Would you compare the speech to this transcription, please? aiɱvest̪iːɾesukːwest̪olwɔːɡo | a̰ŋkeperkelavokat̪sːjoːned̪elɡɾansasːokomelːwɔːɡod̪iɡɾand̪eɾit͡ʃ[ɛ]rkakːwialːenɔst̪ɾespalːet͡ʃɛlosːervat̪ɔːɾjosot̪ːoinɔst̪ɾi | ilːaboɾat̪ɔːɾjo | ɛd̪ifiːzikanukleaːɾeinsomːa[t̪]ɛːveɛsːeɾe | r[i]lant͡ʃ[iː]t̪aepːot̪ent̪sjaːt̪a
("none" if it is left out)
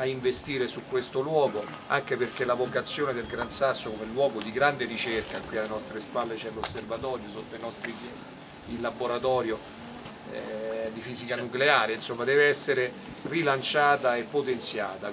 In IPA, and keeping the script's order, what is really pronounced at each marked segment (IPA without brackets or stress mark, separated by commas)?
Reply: e, d̪, i, aː